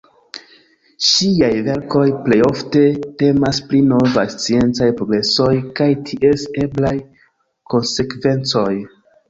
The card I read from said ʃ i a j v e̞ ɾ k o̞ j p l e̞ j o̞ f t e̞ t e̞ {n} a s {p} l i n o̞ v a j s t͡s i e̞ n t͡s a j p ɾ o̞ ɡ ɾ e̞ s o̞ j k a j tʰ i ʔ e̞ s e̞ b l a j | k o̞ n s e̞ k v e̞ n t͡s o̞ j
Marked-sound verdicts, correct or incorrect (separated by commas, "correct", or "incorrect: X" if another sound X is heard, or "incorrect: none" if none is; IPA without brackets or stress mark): incorrect: m, correct